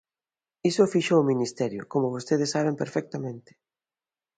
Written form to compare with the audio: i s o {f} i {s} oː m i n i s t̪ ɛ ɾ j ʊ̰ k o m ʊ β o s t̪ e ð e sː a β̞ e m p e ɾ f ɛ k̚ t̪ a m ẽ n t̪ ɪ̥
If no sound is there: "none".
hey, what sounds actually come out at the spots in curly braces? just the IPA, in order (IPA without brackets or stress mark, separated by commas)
f, ʃ